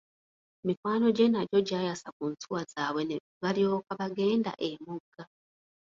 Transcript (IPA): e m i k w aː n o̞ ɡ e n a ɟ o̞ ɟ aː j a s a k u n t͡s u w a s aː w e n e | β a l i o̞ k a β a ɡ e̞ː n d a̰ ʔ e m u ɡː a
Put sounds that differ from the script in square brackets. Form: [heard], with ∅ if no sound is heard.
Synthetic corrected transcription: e m i k w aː n o̞ [ɟ] e n a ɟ o̞ ɟ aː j a s a k u n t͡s u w a [z] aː w e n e | β a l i o̞ k a β a ɡ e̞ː n d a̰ ʔ e m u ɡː a